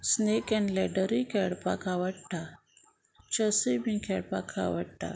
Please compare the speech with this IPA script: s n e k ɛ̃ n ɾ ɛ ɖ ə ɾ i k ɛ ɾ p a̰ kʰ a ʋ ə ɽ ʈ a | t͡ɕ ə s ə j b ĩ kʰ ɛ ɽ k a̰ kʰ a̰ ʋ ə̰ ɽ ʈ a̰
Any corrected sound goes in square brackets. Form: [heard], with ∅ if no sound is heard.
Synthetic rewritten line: s n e k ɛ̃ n [l] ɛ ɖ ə ɾ i k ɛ [ɽ] p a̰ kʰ a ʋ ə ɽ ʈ a | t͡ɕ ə s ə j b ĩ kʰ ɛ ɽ [p] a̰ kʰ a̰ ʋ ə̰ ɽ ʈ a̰